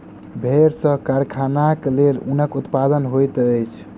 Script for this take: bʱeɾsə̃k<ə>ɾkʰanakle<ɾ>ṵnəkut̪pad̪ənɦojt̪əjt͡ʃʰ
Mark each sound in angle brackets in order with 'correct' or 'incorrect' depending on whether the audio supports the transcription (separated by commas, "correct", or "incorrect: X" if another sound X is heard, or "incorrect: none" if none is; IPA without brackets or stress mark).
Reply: incorrect: a, incorrect: l